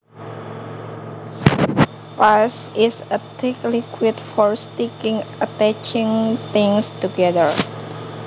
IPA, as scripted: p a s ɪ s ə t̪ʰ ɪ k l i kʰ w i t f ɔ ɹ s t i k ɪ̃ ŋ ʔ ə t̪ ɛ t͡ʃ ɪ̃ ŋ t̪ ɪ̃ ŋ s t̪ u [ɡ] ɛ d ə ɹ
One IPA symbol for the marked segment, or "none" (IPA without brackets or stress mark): ɡ